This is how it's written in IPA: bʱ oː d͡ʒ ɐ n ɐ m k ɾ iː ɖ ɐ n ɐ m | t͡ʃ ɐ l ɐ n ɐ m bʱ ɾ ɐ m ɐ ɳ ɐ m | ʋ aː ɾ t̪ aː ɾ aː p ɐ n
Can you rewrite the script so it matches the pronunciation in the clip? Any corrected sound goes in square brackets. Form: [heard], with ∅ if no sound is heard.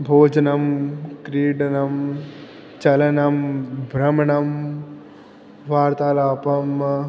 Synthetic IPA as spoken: bʱ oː d͡ʒ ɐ n ɐ m k ɾ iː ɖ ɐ n ɐ m | t͡ʃ ɐ l ɐ n ɐ m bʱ ɾ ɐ m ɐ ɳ ɐ m | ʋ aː ɾ t̪ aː [l] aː p ɐ [m]